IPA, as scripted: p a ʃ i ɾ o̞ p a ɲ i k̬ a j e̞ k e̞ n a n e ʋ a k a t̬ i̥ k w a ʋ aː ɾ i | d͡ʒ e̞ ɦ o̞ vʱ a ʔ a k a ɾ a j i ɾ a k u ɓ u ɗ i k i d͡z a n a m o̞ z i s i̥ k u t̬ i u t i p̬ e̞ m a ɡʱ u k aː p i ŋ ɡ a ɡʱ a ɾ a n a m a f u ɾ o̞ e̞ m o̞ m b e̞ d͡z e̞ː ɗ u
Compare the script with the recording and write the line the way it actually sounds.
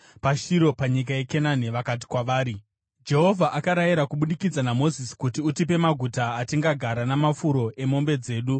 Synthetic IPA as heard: p a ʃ i ɾ o̞ p a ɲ i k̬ a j e̞ k e̞ n a n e ʋ a k a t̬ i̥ k w a ʋ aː ɾ i | d͡ʒ e̞ ɦ o̞ vʱ a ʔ a k a ɾ a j i ɾ a k u ɓ u ɗ i k i d͡z a n a m o̞ z i s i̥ k u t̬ i u t i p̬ e̞ m a ɡʱ u t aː t i ŋ ɡ a ɡʱ a ɾ a n a m a f u ɾ o̞ e̞ m o̞ m b e̞ d͡z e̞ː ɗ u